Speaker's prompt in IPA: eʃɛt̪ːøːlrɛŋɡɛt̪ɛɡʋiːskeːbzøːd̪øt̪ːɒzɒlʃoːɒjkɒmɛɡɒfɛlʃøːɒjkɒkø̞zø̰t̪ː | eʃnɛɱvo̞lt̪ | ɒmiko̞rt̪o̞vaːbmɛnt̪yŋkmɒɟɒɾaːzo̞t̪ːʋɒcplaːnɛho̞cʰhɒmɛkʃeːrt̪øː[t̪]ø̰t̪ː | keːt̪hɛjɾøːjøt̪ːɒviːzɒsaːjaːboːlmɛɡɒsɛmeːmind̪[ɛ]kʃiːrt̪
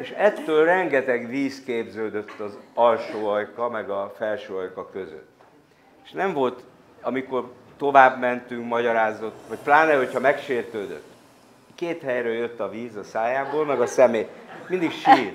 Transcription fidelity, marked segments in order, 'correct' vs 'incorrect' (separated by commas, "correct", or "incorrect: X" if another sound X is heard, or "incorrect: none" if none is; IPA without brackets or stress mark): incorrect: d̪, incorrect: i